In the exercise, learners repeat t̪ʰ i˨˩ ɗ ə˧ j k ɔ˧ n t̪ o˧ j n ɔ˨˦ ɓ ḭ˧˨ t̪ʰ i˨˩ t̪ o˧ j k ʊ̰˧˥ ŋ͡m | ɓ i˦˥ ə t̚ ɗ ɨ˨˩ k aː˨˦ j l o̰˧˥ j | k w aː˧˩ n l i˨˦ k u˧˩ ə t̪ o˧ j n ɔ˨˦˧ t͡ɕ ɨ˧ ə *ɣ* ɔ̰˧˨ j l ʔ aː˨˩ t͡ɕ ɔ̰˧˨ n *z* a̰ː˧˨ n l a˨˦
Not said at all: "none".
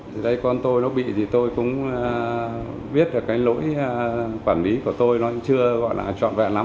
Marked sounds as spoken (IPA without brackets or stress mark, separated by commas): ɣ, v